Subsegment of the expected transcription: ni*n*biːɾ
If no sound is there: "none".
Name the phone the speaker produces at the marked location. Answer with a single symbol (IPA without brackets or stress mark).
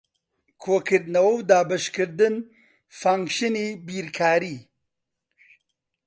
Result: none